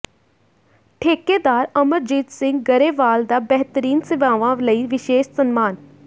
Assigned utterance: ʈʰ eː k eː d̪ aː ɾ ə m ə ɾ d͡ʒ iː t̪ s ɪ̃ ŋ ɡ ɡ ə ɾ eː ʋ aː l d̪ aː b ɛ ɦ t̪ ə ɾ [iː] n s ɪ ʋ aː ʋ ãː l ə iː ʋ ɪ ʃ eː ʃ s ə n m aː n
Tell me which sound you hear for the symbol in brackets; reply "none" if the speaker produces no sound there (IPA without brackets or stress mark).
iː